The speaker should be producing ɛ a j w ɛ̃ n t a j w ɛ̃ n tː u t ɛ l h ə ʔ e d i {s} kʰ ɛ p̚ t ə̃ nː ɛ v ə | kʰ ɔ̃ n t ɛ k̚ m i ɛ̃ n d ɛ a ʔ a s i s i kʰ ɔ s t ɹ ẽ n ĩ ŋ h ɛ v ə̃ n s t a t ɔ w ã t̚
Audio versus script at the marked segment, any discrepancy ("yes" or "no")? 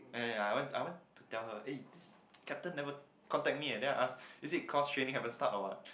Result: no